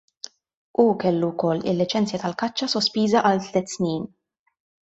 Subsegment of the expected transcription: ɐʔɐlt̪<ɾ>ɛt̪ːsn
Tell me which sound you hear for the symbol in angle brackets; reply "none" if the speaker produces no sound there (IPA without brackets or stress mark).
l